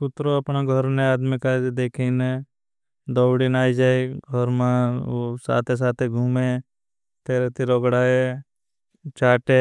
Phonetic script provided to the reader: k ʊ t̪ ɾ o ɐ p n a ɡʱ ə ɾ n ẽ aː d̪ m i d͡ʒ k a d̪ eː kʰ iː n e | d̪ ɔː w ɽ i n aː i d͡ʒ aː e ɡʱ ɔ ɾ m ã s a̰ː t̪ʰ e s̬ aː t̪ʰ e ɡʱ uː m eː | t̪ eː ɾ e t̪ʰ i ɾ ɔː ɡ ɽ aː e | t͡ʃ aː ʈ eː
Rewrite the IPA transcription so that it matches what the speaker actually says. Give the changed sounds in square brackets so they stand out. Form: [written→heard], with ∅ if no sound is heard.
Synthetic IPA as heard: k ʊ t̪ ɾ o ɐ p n a ɡʱ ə ɾ n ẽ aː d̪ m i [d͡ʒ→∅] k a d̪ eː kʰ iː n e | d̪ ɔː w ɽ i n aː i d͡ʒ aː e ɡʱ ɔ ɾ m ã s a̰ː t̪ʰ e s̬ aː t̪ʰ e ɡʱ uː m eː | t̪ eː ɾ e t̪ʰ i ɾ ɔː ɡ ɽ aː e | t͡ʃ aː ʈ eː